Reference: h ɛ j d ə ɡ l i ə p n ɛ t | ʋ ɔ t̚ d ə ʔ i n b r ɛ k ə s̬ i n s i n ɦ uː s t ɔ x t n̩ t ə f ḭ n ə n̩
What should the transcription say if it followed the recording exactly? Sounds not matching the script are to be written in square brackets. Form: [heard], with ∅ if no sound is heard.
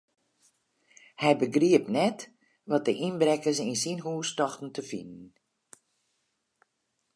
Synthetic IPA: h ɛ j [b] ə ɡ [r] i ə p n ɛ t | ʋ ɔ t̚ d ə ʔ i n b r ɛ k ə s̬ i n s i n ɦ uː s t ɔ x t n̩ t ə f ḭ n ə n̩